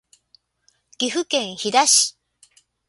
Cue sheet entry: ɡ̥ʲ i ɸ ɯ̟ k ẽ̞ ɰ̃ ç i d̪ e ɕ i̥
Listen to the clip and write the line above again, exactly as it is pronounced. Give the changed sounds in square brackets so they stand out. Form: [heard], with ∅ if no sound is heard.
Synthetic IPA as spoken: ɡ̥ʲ i ɸ ɯ̟ k ẽ̞ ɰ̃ ç i d̪ [a] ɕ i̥